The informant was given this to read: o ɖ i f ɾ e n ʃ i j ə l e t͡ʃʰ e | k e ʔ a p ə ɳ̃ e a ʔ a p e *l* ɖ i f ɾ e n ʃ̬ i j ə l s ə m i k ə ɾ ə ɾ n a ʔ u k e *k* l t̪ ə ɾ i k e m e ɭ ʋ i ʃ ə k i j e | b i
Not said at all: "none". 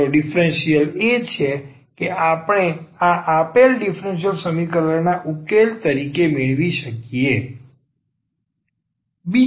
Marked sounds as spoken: l, none

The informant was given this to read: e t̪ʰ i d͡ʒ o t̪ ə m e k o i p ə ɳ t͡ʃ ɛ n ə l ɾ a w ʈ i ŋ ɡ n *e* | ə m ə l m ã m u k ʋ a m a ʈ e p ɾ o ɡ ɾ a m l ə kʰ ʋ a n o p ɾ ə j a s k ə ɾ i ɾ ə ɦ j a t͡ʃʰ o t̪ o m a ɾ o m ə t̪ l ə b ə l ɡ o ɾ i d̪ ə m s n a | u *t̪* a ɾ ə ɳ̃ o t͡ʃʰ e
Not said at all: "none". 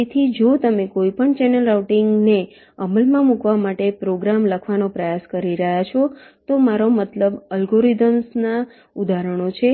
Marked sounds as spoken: e, d̪

